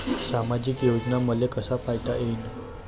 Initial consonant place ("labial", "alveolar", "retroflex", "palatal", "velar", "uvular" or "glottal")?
alveolar